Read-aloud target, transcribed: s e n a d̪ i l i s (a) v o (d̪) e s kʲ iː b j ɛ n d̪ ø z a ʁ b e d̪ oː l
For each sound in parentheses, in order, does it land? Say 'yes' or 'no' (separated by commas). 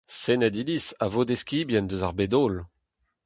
yes, yes